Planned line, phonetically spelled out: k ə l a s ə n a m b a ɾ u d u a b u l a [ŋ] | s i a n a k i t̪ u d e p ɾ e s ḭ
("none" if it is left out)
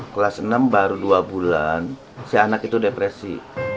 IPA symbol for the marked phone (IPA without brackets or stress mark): n